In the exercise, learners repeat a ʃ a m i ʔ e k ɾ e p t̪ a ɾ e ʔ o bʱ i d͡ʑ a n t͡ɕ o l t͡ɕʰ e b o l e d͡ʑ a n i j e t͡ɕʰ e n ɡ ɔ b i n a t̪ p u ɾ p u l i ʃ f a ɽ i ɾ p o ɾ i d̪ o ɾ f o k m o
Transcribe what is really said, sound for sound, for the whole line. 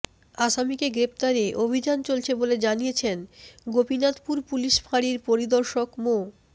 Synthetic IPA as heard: a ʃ a m i k e ɡ ɾ e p t̪ a ɾ e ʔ o bʱ i d͡ʑ a n t͡ɕ o l t͡ɕʰ e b o l e d͡ʑ a n i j e t͡ɕʰ e n ɡ o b i n a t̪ p u ɾ p u l i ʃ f a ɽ i ɾ p o ɾ i d̪ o ɾ ʃ o k m o